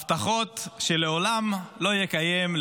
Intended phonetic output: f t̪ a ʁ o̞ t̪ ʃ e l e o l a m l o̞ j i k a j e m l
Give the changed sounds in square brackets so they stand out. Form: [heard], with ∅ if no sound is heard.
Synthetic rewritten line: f t̪ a [χ] o̞ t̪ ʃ e l e o l a m l o̞ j [e] k a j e m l